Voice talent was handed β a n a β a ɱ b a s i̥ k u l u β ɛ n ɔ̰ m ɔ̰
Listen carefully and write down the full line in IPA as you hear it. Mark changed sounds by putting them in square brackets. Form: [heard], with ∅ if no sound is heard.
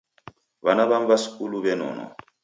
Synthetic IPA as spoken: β a n a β a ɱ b a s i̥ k u l u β ɛ n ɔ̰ [n] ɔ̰